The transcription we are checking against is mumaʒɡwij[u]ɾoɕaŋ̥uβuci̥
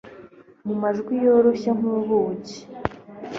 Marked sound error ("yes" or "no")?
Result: yes